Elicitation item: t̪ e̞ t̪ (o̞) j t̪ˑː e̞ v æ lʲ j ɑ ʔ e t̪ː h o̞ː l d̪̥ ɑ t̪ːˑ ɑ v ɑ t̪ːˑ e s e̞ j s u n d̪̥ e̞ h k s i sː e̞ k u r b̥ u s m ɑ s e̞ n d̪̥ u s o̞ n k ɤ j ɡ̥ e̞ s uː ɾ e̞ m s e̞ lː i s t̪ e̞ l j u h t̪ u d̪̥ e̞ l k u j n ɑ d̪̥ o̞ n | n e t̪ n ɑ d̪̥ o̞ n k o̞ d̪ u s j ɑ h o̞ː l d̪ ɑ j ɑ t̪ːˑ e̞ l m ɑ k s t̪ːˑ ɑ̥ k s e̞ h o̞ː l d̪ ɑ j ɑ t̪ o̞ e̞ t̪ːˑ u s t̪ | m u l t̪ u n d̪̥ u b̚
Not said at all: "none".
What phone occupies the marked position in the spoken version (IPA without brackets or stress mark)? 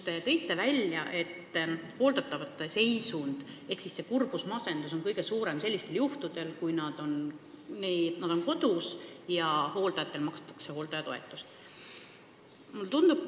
ɤ̞